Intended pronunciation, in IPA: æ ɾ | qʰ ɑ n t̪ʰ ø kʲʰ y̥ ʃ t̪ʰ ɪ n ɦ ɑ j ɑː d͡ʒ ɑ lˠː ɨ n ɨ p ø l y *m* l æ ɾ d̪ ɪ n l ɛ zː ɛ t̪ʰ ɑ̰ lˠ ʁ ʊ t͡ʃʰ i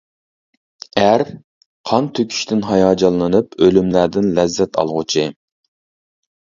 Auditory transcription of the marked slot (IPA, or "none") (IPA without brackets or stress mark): m